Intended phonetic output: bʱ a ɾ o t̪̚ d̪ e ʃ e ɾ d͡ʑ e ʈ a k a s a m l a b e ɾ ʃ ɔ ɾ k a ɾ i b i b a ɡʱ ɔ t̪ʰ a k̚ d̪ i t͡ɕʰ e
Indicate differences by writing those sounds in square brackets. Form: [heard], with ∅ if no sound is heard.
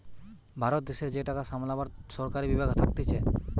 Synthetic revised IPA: bʱ a ɾ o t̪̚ d̪ e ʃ e ɾ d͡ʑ e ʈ a k a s a m l a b [a] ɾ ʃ ɔ ɾ k a ɾ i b i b a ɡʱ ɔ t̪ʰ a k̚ [t̪] i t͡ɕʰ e

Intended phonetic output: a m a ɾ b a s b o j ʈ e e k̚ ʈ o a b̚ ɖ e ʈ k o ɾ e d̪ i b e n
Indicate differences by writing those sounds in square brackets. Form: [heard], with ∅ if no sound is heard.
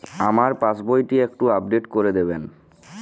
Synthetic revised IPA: a m a ɾ [p] a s b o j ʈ [i] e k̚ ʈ [u] a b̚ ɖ e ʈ k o ɾ e d̪ [e] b e n

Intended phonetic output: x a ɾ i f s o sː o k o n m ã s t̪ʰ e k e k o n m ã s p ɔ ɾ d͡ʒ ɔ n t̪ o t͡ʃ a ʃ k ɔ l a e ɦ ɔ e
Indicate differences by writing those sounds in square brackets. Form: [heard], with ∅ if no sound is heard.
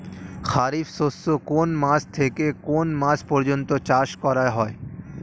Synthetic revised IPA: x a ɾ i f s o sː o k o n m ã s t̪ʰ e k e k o n m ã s p ɔ ɾ d͡ʒ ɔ n t̪ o t͡ʃ a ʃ k ɔ [ɾ] a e ɦ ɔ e

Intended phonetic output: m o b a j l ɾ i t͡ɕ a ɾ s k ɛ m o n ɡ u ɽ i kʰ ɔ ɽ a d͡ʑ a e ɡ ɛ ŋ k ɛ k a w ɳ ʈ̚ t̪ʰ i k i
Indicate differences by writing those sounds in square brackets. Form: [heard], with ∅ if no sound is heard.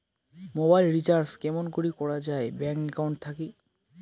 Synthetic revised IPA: m o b a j l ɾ i t͡ɕ a ɾ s k ɛ m o n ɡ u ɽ i [k] ɔ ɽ a d͡ʑ a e [b] ɛ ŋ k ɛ k a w ɳ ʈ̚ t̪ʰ [a] k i

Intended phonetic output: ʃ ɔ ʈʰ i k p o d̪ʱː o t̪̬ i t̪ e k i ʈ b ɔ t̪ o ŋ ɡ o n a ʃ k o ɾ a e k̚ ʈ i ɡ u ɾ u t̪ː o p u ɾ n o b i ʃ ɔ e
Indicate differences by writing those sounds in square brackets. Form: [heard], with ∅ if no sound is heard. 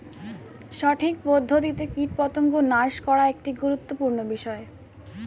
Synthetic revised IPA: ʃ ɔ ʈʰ i k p o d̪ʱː o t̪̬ i t̪ e k i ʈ [p] ɔ t̪ o ŋ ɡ o n a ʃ k [ɔ] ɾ a e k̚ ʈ i ɡ u ɾ u t̪ː o p u ɾ n o b i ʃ ɔ e

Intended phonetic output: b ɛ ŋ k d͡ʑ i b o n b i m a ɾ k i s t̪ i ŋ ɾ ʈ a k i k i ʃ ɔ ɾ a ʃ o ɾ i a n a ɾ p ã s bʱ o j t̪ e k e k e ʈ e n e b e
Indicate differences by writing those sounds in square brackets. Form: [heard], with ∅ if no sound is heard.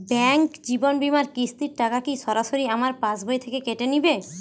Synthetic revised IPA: b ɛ ŋ k d͡ʑ i b o n b i m a ɾ k i s t̪ i [∅] ɾ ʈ a k [a] k i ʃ ɔ ɾ a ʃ o ɾ i a [m] a ɾ p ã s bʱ o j [t̪ʰ] e k e k e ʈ e n [i] b e

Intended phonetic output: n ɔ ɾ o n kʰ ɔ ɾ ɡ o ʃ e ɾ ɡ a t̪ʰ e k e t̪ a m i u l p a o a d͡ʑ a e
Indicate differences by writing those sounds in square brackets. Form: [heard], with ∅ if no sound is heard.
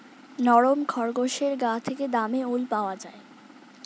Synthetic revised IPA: n ɔ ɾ o [m] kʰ ɔ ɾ ɡ o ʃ e ɾ ɡ a t̪ʰ e k e [d̪] a m [e] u l p a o a d͡ʑ a e

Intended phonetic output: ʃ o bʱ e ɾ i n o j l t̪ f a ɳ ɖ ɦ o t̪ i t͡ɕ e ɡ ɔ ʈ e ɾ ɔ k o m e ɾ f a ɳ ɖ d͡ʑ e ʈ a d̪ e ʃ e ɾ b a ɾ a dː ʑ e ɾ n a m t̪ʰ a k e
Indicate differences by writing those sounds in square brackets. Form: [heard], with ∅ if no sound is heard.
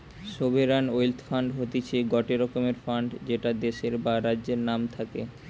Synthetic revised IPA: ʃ o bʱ e ɾ [a] n o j l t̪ f a ɳ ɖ ɦ o t̪ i [t͡ɕʰ] e ɡ ɔ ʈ e ɾ ɔ k o m e ɾ f a ɳ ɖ d͡ʑ e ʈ a d̪ e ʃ e ɾ b a ɾ a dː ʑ e ɾ n a m t̪ʰ a k e

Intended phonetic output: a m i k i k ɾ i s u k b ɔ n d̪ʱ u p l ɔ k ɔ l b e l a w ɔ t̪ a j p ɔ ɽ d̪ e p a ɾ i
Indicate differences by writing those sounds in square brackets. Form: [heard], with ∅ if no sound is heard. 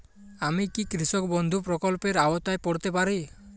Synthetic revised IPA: a m i k i k ɾ i s [ɔ] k b ɔ n d̪ʱ u p [ɾ] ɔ k ɔ l [p] e [ɾ] a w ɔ t̪ a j p ɔ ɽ [t̪] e p a ɾ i

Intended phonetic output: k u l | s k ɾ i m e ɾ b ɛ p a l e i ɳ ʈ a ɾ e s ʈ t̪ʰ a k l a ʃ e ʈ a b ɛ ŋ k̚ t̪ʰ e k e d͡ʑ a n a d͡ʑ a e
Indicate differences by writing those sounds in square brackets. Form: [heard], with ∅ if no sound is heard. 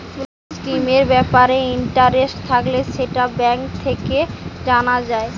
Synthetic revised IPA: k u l | s k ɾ i m e ɾ b ɛ p a [ɾ] e i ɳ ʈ a ɾ e s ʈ t̪ʰ a k l [e] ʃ e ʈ a b ɛ ŋ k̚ t̪ʰ e k e d͡ʑ a n a d͡ʑ a e

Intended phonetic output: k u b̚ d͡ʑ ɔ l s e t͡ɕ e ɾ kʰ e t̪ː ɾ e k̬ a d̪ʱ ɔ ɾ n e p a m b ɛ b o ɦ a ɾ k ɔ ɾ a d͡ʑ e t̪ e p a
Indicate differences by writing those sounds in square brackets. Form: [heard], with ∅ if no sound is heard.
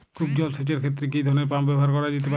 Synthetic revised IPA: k u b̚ d͡ʑ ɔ l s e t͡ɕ e ɾ kʰ e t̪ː ɾ e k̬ [i] d̪ʱ ɔ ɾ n e p a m b ɛ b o ɦ a ɾ k ɔ ɾ a d͡ʑ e t̪ e p a

